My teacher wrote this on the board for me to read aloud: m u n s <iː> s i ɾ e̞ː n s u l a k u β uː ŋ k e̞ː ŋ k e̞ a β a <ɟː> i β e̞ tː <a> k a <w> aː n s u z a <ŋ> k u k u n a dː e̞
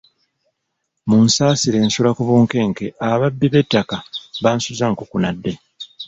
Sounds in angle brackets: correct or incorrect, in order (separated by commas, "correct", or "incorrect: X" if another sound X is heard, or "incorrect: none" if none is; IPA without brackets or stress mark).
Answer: incorrect: aː, incorrect: bː, correct, incorrect: β, correct